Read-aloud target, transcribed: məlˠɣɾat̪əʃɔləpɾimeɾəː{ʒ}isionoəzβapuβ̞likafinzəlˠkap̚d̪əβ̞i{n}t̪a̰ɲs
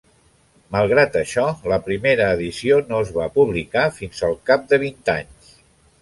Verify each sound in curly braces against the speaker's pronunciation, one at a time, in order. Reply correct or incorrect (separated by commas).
incorrect, correct